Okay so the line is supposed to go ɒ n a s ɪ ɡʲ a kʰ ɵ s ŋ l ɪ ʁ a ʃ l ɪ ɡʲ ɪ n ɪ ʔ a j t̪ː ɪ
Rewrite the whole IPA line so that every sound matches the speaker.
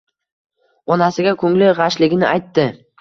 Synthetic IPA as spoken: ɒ n a s ɪ ɡʲ a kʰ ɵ ŋ l ɪ ʁ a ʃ l ɪ ɡʲ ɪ n ɪ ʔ a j t̪ː ɪ